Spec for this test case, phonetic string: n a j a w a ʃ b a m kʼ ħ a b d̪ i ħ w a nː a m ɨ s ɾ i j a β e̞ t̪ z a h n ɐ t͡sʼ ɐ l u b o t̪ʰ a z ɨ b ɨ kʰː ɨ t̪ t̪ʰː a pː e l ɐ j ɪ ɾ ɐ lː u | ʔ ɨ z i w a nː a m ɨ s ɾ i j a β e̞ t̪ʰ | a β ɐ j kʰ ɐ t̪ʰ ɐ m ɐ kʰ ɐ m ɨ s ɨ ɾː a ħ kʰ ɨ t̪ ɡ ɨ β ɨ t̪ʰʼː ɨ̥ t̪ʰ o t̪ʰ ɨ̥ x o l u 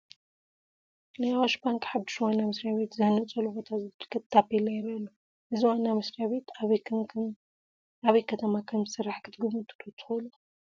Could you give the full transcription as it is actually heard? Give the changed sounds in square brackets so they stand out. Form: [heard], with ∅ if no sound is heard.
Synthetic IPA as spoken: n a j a w a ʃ b a [ŋ] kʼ ħ a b d̪ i [ʃ] w a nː a m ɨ s ɾ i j a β e̞ t̪ z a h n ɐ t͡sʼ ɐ l u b o t̪ʰ a z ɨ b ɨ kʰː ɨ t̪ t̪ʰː a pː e l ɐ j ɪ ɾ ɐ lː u | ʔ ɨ z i w a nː a m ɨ s ɾ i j a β e̞ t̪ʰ | a β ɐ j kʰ ɐ t̪ʰ ɐ m [a] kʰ ɐ m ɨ s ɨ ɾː a ħ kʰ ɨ t̪ ɡ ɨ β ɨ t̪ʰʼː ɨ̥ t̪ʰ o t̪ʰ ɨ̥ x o l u